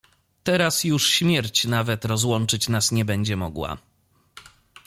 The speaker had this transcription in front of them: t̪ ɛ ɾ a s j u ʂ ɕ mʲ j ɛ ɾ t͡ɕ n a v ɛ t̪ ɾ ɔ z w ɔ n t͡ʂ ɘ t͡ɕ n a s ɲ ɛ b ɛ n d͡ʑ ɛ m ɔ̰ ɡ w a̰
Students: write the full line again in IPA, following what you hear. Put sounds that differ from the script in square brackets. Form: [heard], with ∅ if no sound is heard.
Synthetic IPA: t̪ ɛ ɾ a s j u ʂ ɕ mʲ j ɛ ɾ t͡ɕ n a v ɛ t̪ ɾ ɔ z w ɔ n t͡ʂ ɘ t͡ɕ n a s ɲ ɛ b ɛ [ɲ] d͡ʑ ɛ m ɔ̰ ɡ w a̰